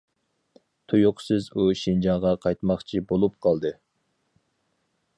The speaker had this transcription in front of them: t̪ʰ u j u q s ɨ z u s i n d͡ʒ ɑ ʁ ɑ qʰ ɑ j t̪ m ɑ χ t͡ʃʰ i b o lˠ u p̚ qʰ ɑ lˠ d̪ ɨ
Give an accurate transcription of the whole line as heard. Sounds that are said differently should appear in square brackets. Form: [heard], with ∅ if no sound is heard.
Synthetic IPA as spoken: t̪ʰ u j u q s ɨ z u [ʃ] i n d͡ʒ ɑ ʁ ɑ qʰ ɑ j t̪ m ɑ χ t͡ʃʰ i b o lˠ u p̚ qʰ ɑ lˠ d̪ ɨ